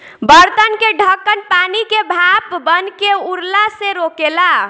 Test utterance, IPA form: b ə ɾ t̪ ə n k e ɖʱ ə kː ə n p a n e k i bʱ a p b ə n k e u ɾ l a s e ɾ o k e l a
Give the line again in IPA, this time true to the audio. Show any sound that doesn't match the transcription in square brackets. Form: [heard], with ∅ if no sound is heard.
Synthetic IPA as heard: b ə ɾ t̪ ə n k e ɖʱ ə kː ə n p a n [i] k [e] bʱ a p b ə n k e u ɾ l a s e ɾ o k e l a

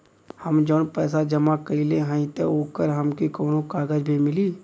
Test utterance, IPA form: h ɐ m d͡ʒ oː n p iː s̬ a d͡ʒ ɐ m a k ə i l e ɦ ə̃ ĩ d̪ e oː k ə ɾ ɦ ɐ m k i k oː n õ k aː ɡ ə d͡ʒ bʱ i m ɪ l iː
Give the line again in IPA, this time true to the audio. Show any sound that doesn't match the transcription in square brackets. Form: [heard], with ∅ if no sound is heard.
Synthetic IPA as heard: h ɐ m d͡ʒ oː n p [ɛː] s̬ a d͡ʒ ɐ m a k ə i l e ɦ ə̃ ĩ [t̪] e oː k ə ɾ ɦ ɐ m k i k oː n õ k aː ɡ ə d͡ʒ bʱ i m ɪ l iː

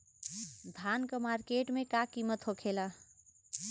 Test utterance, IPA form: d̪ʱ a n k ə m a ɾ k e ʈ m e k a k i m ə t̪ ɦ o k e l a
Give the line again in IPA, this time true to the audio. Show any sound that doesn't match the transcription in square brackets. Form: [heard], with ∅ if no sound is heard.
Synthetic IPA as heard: d̪ʱ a n k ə m a ɾ k e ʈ m e k a k i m ə t̪ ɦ o [kʰ] e l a

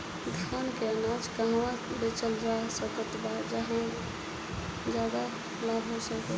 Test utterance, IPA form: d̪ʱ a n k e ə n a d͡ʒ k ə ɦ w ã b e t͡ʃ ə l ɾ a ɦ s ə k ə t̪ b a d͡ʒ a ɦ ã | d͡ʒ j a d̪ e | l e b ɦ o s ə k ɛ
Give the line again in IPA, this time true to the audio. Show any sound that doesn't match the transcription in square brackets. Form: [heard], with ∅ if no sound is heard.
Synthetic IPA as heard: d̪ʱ a n k e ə n a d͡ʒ k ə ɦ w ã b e t͡ʃ ə l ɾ a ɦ s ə k ə t̪ b a d͡ʒ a ɦ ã | d͡ʒ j a d̪ [a] | l [a] b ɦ o s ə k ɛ

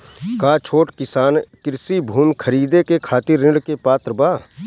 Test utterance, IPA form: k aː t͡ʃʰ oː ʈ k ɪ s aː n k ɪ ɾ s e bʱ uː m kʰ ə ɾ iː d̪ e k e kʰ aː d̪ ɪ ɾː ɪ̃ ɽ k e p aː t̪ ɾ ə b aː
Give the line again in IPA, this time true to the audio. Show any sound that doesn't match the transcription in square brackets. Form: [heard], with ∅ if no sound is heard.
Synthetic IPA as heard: k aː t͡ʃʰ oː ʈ k ɪ s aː n k ɪ ɾ s [i] bʱ uː m kʰ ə ɾ iː d̪ e k e kʰ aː [t̪] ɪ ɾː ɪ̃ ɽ k e p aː t̪ ɾ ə b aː

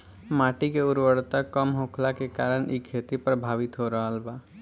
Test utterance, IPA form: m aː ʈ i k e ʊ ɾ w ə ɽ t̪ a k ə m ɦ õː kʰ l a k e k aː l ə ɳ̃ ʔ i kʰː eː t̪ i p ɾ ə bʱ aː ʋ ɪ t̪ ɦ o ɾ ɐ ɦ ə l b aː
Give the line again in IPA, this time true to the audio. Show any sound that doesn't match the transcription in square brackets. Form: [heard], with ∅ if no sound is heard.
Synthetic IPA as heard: m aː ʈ i k e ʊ ɾ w ə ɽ t̪ a k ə m ɦ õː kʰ l a k e k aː [ɾ] ə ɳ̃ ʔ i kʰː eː t̪ i p ɾ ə bʱ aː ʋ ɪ t̪ ɦ o ɾ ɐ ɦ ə l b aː

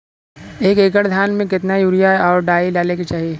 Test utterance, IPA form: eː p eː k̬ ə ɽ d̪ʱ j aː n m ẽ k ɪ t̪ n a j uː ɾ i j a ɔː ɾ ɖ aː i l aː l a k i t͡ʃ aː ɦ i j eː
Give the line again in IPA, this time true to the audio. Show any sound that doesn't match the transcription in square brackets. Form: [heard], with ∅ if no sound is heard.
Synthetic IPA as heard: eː [k] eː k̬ ə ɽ d̪ʱ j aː n m ẽ k ɪ t̪ n a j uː ɾ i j a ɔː ɾ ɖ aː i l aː l [e] k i t͡ʃ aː ɦ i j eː

